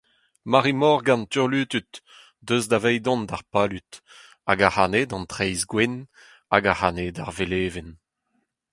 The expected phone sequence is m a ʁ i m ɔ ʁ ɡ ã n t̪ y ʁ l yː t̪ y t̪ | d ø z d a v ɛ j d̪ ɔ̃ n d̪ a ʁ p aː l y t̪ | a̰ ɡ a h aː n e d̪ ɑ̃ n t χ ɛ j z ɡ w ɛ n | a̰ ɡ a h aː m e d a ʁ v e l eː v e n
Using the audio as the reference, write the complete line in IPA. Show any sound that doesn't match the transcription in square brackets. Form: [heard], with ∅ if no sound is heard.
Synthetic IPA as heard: m a ʁ i m ɔ ʁ ɡ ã n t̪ y ʁ l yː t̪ y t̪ | d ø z d a v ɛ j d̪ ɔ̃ n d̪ a ʁ p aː l y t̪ | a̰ ɡ a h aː n e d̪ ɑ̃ n t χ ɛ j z ɡ w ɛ n | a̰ ɡ a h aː [n] e d a ʁ v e l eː v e n